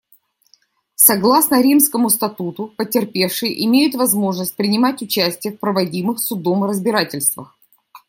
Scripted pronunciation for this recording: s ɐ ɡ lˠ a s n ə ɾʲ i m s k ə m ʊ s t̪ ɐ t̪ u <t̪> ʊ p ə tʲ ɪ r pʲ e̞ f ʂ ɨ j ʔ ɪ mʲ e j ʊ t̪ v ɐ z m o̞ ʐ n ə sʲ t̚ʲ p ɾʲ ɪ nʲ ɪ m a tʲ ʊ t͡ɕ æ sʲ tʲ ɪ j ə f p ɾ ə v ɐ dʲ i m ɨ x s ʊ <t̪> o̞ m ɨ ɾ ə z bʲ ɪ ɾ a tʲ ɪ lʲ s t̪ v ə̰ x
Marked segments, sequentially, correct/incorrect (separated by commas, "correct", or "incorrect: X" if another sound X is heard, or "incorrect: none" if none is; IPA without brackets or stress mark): correct, incorrect: d̪